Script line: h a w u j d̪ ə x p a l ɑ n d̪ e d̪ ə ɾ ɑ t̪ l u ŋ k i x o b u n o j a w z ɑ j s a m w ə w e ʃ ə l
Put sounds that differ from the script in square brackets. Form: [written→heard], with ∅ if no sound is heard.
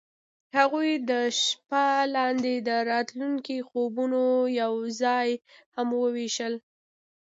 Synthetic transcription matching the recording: h a [w→ɣ] u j d̪ ə [x→ʃ] p a l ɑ n d̪ e d̪ ə ɾ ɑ t̪ l u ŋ k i x o b u n o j a w z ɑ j [s→h] a m w ə w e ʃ ə l